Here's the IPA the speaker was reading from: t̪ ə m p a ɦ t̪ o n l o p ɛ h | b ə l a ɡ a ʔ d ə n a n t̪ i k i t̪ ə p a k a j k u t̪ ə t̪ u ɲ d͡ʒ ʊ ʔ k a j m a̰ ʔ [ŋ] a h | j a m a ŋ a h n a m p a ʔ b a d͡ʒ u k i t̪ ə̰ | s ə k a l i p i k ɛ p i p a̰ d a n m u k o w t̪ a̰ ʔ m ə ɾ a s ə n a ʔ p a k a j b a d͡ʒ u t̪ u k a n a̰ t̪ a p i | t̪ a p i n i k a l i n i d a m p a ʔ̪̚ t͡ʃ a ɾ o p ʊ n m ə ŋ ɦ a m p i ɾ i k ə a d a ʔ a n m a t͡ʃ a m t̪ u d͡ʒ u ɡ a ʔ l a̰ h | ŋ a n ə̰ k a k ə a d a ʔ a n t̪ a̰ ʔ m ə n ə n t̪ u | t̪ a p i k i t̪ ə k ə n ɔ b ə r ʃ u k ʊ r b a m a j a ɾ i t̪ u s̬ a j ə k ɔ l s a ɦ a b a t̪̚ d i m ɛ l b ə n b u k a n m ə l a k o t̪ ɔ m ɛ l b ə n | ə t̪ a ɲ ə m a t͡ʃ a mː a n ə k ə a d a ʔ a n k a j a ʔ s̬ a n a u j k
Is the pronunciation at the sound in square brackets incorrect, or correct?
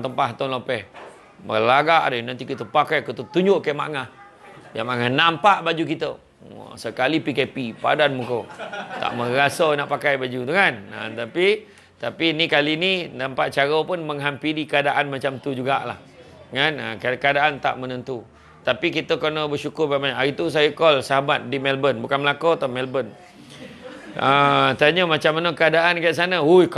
correct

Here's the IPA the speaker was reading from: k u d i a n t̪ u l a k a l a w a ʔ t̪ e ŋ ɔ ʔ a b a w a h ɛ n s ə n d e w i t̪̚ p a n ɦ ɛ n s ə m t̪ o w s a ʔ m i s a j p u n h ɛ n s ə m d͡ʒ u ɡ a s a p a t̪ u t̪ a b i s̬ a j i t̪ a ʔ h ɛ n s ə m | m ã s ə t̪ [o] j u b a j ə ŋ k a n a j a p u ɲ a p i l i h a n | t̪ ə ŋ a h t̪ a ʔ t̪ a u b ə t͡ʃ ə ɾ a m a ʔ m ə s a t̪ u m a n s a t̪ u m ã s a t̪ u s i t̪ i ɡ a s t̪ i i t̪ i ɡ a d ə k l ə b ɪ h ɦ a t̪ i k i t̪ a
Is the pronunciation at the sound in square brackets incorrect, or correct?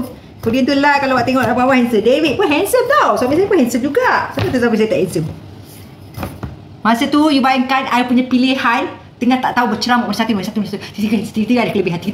incorrect: u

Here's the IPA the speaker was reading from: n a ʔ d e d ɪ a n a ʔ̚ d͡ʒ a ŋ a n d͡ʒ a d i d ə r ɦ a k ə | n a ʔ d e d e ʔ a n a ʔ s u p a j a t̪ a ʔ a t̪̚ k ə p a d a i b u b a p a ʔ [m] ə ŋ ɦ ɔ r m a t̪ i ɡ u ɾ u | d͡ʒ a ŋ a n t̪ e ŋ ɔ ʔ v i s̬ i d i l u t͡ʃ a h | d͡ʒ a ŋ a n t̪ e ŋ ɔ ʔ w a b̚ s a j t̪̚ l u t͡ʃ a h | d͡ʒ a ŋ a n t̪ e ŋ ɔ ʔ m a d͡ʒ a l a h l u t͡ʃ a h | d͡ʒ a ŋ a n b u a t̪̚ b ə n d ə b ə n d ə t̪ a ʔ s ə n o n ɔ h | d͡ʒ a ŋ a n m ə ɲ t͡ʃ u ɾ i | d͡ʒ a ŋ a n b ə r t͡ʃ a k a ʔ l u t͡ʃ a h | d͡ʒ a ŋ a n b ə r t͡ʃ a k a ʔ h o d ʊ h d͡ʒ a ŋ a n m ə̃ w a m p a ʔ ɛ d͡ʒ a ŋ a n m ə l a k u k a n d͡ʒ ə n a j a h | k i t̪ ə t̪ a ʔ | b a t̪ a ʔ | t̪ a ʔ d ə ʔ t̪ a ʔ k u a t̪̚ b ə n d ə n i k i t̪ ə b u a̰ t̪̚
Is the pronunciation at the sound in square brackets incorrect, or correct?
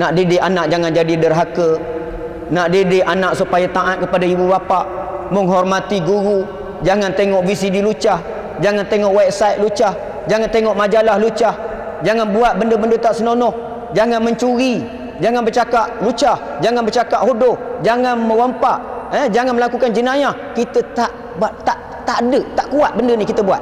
correct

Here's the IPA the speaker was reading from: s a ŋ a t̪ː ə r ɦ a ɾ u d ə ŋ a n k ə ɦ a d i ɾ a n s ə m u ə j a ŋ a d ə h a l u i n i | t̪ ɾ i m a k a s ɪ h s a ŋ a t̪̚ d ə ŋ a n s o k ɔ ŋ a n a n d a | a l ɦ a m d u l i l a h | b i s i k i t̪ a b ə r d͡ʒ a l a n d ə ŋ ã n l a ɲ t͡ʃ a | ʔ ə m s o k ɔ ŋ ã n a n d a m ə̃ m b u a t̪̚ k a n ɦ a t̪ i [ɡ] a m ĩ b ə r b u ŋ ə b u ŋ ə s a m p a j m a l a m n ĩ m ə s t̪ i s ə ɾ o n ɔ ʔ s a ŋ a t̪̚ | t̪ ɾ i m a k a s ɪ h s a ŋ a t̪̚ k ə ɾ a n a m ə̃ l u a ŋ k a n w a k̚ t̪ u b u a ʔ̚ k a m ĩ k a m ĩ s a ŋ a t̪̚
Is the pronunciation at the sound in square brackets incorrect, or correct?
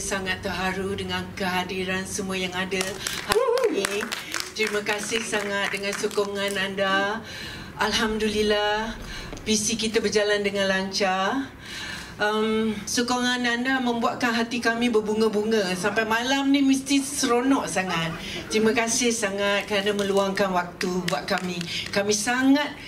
incorrect: k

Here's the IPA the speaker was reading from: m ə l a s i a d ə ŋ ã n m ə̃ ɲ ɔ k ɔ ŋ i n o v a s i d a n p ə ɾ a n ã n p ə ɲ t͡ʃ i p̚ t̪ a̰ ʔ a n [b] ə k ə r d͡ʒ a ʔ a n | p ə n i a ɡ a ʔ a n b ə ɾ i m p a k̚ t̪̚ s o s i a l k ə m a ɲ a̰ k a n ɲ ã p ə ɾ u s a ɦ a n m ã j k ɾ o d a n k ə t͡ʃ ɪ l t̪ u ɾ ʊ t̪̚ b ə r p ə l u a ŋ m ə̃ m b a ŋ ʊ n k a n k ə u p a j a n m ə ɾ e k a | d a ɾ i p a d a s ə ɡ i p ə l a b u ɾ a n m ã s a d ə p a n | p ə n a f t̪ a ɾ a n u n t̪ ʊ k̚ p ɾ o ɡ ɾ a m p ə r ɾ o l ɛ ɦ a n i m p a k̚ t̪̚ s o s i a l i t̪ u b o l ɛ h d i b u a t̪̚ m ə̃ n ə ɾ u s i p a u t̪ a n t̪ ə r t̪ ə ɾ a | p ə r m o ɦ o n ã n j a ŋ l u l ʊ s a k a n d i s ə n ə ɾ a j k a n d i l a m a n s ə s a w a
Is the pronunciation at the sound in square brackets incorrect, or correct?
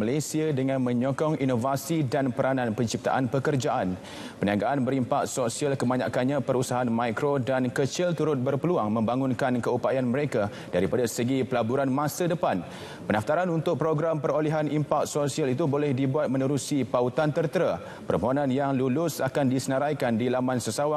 incorrect: p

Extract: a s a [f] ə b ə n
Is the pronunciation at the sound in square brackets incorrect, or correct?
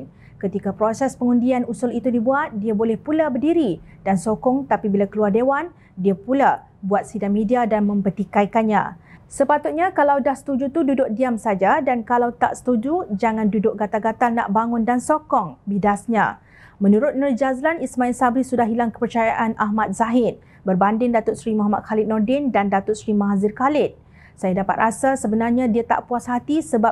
incorrect: s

